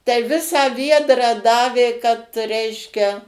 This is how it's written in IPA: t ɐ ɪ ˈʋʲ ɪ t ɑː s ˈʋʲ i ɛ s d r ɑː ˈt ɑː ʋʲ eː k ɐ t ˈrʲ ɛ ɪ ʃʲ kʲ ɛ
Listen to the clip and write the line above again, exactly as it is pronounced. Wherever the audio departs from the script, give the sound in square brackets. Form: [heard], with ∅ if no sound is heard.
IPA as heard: t ɐ ɪ ˈʋʲ ɪ [s] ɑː [∅] ˈʋʲ i ɛ [∅] d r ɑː [ˈd] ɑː ʋʲ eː k ɐ t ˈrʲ ɛ ɪ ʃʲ kʲ ɛ